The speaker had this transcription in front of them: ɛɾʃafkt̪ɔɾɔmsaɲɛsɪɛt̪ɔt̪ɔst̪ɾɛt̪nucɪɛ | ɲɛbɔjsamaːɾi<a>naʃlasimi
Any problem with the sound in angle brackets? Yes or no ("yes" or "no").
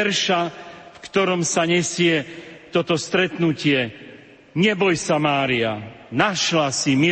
no